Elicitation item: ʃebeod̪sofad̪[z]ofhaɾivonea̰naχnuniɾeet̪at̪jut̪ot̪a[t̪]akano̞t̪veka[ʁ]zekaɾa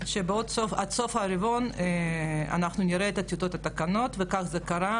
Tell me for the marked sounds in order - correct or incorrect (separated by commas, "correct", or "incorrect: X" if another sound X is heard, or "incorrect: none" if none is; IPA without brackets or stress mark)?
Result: incorrect: s, correct, incorrect: χ